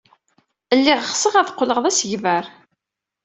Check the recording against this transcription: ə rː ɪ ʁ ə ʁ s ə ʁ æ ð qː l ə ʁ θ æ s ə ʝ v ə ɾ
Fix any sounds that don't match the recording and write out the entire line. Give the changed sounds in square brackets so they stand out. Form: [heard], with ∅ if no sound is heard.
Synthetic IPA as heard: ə [lː] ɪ ʁ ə [χ] s ə ʁ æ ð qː l ə ʁ [ð] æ s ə ʝ v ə ɾ